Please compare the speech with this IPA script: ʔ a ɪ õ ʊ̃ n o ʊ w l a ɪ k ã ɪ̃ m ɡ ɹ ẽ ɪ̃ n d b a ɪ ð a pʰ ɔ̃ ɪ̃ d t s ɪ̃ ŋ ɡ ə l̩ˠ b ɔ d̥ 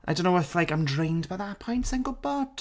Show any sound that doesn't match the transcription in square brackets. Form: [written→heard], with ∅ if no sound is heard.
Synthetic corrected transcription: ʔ a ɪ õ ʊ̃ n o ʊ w l a ɪ k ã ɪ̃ m [ɡ→d] ɹ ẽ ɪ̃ n d b a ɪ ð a pʰ ɔ̃ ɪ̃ [d→n] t s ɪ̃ ŋ ɡ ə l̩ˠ b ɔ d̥